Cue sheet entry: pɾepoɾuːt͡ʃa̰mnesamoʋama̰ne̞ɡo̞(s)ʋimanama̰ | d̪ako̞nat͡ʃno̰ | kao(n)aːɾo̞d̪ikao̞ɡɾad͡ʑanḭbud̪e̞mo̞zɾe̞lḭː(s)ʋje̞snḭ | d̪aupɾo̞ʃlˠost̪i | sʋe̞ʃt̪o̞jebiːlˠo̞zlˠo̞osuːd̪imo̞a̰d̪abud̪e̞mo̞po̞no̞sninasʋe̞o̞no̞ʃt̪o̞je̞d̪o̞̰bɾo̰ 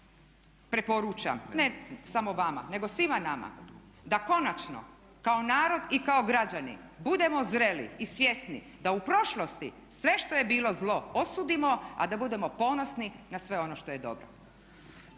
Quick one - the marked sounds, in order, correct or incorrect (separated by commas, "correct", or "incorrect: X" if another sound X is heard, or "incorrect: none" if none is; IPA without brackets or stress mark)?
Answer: correct, correct, correct